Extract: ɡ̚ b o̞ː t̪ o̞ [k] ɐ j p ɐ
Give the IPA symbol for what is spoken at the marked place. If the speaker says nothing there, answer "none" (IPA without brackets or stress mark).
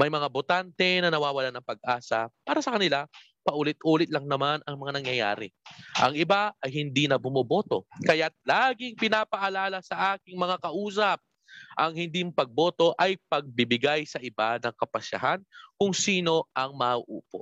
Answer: ʔ